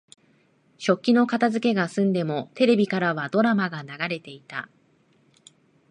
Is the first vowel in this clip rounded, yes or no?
yes